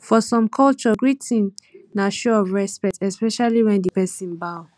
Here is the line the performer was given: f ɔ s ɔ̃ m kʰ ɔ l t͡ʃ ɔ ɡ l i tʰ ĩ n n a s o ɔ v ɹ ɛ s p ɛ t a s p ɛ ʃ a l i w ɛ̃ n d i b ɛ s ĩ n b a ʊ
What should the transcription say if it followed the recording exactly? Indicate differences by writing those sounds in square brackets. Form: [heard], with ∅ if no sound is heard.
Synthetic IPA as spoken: f ɔ s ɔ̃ m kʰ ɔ l t͡ʃ ɔ ɡ [ɹ] i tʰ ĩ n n a [ʃ] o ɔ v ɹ ɛ s p ɛ t [ɛ] s p ɛ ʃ a l i w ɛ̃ n d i [p] ɛ s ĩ n b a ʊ